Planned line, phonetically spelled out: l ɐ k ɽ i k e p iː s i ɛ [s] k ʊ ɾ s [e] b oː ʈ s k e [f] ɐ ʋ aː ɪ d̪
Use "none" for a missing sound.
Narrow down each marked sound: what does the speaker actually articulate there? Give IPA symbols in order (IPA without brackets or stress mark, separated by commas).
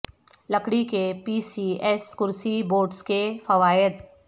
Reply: s, i, f